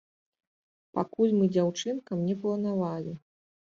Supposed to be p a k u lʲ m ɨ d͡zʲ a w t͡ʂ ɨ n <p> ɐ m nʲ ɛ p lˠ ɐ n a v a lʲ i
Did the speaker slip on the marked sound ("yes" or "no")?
yes